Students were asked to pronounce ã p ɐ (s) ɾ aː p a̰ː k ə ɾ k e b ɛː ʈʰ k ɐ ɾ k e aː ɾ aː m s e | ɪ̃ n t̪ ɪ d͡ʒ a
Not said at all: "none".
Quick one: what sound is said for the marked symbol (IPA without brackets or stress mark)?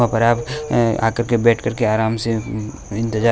none